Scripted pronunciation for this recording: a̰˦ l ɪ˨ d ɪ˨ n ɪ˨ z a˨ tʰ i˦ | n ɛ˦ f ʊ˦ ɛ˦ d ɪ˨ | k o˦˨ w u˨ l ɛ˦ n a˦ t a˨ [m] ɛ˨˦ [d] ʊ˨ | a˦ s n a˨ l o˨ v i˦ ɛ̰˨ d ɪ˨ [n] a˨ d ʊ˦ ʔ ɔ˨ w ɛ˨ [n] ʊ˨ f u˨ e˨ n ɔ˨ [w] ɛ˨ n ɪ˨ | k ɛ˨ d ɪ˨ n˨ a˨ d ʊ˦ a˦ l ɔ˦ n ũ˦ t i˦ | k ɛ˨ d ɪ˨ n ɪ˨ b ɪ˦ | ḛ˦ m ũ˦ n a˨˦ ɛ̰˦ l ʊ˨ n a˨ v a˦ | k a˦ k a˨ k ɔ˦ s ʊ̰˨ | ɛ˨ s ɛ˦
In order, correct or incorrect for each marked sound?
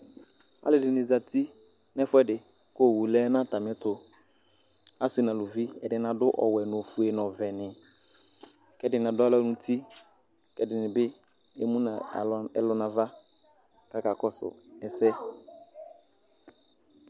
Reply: correct, incorrect: t, correct, correct, incorrect: v

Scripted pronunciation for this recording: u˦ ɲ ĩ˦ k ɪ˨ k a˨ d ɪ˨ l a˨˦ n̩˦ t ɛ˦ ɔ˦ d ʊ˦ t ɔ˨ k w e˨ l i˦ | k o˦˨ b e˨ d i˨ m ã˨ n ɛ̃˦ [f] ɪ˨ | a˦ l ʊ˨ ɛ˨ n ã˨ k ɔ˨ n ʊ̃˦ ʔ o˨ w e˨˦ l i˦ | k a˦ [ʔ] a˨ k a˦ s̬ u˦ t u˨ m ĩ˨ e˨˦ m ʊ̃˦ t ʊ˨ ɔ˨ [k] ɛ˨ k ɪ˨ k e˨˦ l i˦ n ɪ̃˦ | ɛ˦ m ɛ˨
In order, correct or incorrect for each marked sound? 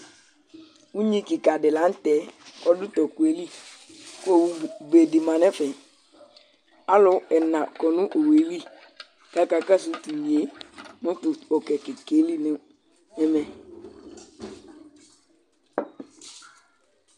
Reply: correct, incorrect: k, correct

